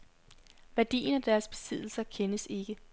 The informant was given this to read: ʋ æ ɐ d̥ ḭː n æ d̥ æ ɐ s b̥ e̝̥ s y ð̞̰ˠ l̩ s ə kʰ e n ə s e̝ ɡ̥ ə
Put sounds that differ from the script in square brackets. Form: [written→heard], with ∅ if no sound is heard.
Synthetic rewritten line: ʋ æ ɐ d̥ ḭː n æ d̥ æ ɐ s b̥ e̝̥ s [y→i] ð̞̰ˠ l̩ s [ə→ɐ] kʰ e n ə s e̝ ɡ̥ ə